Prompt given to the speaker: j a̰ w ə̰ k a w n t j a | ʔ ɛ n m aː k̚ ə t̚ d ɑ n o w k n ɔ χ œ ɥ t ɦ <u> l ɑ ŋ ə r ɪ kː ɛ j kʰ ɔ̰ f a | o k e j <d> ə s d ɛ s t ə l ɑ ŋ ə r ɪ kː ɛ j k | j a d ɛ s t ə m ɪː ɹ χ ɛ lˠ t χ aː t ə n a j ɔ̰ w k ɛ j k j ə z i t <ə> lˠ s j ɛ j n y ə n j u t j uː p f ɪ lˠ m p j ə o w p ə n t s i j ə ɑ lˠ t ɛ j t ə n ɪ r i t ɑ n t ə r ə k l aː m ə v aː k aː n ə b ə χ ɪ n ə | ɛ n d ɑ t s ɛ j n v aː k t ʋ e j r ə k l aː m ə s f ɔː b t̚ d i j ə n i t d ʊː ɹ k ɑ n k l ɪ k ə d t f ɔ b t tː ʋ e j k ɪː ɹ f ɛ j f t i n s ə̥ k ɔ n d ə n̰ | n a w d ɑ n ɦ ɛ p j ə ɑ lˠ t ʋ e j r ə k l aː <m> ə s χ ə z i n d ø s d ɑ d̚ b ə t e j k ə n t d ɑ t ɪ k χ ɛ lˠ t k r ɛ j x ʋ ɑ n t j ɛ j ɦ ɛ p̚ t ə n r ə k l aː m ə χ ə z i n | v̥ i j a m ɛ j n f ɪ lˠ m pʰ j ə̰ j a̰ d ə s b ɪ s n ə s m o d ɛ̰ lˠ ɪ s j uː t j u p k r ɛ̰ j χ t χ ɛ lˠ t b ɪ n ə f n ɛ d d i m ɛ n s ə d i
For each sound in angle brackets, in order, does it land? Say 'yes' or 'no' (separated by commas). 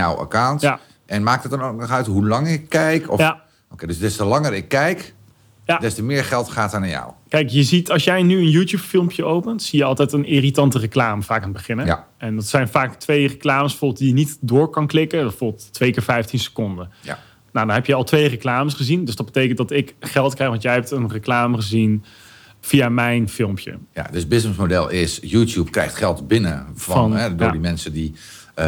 yes, yes, no, yes